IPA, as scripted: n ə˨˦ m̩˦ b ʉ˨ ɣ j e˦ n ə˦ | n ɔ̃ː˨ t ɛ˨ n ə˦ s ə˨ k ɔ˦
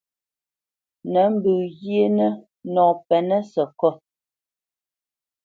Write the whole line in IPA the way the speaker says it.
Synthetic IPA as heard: n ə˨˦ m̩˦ b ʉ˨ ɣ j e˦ n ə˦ | n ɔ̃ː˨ p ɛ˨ n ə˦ s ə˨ k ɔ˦